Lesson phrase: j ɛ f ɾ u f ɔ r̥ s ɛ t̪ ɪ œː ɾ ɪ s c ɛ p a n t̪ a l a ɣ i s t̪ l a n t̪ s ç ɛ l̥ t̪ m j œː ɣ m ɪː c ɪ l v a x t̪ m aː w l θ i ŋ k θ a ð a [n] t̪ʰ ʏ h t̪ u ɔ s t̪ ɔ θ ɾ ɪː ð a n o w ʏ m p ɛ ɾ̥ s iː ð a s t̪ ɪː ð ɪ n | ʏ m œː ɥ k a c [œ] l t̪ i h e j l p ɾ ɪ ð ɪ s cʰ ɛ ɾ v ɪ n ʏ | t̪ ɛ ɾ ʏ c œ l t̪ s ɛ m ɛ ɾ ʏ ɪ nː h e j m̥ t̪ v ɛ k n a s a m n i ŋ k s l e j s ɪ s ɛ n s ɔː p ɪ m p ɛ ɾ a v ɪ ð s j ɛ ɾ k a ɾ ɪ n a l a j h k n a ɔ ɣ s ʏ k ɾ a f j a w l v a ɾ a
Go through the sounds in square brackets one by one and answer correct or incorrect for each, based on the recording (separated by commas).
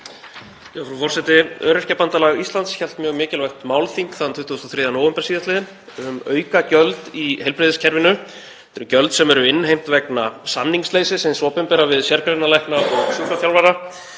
correct, correct